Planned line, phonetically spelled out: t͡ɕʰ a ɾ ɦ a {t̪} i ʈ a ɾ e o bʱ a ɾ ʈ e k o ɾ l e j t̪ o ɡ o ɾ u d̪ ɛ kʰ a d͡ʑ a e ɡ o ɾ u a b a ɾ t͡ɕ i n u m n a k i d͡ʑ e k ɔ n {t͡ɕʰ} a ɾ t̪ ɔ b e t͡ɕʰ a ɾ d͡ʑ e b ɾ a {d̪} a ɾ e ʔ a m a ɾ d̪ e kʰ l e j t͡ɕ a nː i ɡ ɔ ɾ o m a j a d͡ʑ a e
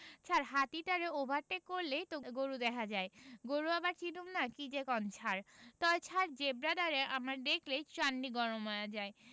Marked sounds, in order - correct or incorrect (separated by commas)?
correct, correct, correct